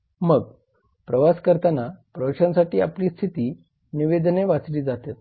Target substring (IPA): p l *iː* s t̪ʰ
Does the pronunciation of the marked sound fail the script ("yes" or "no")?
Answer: no